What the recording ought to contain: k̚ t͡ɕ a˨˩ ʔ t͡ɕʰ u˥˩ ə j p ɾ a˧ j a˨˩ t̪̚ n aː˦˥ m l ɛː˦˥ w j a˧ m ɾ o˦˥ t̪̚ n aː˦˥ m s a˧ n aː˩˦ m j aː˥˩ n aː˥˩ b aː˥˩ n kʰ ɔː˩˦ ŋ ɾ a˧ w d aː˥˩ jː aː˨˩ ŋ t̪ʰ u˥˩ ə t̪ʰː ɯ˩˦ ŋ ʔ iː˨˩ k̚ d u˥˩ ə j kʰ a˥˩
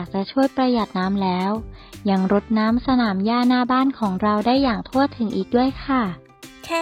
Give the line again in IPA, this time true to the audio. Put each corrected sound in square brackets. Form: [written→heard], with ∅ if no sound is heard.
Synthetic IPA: k̚ t͡ɕ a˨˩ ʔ t͡ɕʰ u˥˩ ə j p ɾ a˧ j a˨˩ t̪̚ n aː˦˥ m l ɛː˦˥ w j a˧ [m→ŋ] ɾ o˦˥ t̪̚ n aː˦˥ m s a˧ n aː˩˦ m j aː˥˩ n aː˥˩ b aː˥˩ n kʰ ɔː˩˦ ŋ ɾ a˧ w d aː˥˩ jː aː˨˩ ŋ t̪ʰ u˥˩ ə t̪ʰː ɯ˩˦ ŋ ʔ iː˨˩ k̚ d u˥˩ ə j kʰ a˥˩